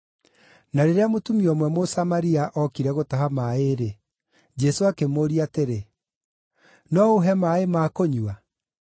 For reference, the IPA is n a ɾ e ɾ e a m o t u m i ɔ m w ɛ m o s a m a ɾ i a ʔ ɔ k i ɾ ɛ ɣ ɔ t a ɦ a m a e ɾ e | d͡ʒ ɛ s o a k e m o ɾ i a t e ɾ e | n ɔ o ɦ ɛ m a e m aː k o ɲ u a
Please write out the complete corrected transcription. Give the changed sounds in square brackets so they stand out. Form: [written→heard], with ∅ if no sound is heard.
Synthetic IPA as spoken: n a ɾ e ɾ e a m o t u m i ɔ m w ɛ m o s a m a ɾ i a ʔ ɔ k i ɾ ɛ ɣ [ɔ→o] t a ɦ a m a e ɾ e | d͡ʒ ɛ s o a k e m o ɾ i a t e ɾ e | n ɔ o ɦ ɛ m a e m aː k o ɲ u a